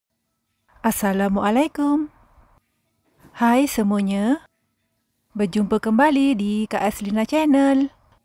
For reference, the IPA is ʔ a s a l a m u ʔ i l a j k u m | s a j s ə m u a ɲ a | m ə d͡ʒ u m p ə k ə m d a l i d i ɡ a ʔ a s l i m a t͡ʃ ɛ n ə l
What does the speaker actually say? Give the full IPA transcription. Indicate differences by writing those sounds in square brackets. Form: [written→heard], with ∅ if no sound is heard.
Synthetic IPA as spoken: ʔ a s a l a m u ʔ [i→a] l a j k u m | [s→h] a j s ə m u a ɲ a | [m→b] ə d͡ʒ u m p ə k ə m [d→b] a l i d i [ɡ→k] a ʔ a s l i [m→n] a t͡ʃ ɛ n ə l